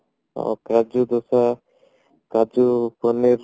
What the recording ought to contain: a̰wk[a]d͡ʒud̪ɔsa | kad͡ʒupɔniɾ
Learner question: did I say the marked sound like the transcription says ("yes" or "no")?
yes